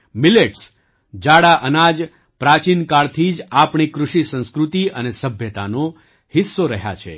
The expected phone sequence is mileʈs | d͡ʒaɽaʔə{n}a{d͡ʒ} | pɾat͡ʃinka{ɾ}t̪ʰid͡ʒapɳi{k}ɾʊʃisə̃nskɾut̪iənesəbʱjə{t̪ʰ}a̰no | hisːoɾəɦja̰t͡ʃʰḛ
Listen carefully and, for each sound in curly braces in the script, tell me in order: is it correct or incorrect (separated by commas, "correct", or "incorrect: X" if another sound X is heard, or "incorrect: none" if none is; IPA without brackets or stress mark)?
correct, correct, incorrect: ɭ, correct, incorrect: t̪